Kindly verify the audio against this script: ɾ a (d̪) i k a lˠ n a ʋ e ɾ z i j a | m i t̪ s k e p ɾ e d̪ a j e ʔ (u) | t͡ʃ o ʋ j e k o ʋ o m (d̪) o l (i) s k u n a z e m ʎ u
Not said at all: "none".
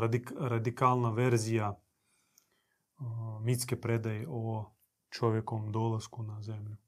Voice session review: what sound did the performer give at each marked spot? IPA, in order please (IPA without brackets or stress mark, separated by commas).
d̪, o, d̪, a